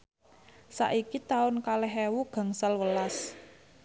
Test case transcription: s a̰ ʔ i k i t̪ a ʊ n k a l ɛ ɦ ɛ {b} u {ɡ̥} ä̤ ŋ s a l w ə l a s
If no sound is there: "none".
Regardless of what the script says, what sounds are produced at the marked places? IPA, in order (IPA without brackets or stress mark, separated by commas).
w, ɡ̥